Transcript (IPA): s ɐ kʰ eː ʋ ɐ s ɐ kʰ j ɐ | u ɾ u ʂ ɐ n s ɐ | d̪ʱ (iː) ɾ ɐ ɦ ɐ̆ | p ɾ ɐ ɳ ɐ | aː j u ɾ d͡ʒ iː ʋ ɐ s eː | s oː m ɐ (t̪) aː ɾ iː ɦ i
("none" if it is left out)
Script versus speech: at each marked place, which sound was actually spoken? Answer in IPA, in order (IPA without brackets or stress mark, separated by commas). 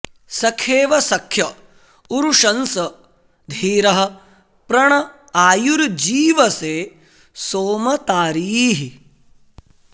iː, t̪